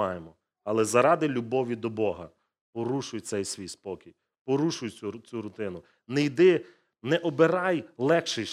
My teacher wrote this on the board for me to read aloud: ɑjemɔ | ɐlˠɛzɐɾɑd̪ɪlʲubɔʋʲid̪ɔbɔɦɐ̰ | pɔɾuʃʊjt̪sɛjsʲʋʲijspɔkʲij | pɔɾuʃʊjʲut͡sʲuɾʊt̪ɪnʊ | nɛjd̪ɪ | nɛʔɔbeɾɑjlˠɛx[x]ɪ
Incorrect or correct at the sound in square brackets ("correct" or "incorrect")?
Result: incorrect